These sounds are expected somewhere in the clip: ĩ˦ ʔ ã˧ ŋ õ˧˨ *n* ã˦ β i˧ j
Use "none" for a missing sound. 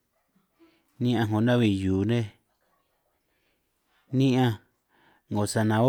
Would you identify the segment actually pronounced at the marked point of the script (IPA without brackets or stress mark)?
n